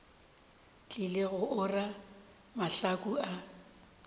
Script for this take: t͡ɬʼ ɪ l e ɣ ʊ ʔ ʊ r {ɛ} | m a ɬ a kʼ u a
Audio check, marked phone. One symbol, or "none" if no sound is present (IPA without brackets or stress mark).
a